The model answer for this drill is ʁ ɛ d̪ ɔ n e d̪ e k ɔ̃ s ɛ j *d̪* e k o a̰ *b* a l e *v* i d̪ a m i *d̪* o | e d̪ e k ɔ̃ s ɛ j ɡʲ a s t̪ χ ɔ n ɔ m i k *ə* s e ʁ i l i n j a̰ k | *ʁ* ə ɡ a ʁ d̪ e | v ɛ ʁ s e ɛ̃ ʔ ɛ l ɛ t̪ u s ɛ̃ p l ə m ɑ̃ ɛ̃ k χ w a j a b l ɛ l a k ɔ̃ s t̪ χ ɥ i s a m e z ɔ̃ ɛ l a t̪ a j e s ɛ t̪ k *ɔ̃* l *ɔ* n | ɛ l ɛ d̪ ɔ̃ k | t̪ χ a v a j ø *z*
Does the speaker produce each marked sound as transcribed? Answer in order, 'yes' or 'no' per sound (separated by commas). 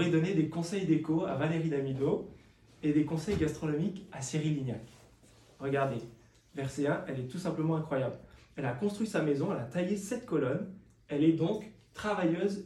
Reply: yes, no, no, yes, no, yes, no, yes, yes